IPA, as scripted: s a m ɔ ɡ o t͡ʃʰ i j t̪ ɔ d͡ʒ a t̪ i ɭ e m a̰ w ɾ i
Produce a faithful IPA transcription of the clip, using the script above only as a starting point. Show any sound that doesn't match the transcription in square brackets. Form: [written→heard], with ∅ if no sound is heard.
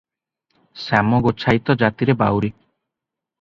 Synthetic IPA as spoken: s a m ɔ ɡ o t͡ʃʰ [i→a] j t̪ ɔ d͡ʒ a t̪ i [ɭ→ɾ] e [m→b] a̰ w ɾ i